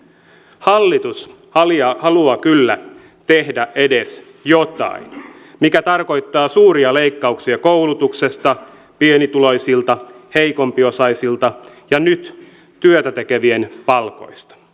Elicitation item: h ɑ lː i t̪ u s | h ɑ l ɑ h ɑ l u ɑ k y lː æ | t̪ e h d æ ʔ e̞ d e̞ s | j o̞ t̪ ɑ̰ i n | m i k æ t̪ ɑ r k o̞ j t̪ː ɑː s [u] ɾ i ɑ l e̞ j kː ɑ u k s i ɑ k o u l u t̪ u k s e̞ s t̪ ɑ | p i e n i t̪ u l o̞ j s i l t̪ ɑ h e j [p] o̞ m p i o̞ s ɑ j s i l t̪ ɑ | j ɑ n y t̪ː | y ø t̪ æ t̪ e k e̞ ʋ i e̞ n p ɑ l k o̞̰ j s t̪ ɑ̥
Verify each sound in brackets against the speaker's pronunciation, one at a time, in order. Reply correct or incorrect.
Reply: incorrect: uː, incorrect: k

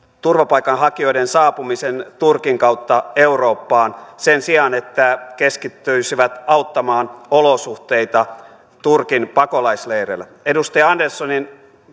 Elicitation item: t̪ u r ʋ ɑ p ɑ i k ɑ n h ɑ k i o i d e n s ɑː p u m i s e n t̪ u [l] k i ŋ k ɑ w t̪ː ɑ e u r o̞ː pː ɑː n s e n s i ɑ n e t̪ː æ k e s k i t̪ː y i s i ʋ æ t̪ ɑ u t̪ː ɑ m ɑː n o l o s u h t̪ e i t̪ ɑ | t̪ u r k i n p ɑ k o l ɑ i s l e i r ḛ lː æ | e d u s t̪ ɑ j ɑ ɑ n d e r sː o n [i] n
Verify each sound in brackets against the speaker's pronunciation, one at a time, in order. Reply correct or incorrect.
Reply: incorrect: r, correct

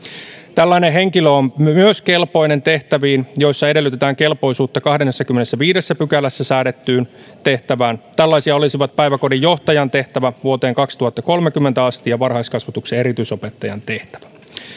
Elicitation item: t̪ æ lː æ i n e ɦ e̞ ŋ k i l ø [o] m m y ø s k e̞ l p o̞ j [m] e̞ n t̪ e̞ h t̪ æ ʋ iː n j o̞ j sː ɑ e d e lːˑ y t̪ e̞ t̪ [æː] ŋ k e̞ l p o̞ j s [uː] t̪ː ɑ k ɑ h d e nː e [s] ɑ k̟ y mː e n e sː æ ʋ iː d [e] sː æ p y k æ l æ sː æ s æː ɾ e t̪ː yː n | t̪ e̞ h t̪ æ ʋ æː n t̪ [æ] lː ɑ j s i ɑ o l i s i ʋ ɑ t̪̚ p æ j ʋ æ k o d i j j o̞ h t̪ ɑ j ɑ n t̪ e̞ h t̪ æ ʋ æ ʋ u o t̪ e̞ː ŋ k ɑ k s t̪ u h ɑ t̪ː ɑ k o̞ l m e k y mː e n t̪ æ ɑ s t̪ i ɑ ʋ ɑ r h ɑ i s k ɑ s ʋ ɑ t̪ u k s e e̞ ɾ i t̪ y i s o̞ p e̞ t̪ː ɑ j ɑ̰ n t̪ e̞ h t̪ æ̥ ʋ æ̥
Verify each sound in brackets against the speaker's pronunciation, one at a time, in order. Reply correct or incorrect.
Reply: correct, incorrect: n, correct, correct, incorrect: sː, correct, correct

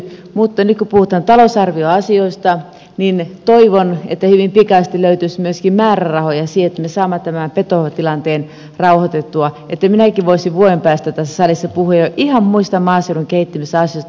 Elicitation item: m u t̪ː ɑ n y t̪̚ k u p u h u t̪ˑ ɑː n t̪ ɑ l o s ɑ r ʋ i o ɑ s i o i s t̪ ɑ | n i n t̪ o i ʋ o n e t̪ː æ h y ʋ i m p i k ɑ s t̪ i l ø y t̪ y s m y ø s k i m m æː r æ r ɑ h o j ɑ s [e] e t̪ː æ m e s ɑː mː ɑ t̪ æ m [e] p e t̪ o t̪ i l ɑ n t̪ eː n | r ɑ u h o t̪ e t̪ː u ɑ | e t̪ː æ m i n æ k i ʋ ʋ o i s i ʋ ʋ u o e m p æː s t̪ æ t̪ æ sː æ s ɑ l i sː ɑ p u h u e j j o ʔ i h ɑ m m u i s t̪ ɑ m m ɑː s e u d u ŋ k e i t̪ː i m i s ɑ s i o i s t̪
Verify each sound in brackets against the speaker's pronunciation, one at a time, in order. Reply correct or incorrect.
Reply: incorrect: i, incorrect: æ

